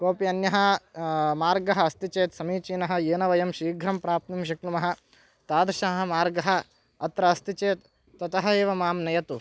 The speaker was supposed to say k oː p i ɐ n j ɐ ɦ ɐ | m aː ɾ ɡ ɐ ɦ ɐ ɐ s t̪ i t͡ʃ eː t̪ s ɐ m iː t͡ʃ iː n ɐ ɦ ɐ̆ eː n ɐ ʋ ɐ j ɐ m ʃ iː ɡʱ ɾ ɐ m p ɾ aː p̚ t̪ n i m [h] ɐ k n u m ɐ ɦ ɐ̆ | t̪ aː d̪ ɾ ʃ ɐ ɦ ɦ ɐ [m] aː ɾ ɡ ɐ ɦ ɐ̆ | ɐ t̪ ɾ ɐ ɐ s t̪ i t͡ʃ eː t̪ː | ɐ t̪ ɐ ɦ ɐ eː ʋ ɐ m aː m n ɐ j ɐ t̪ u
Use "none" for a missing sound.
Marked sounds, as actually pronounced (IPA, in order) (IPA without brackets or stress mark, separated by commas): ʃ, m